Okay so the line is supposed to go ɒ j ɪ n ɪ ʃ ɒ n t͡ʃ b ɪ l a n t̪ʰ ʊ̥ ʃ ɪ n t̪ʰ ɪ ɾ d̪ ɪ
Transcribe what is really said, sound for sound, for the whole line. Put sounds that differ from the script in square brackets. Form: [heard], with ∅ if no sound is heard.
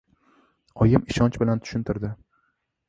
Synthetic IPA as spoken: ɒ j ɪ [m] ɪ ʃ ɒ n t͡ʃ b ɪ l a n t̪ʰ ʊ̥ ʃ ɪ n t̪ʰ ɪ ɾ d̪ ɪ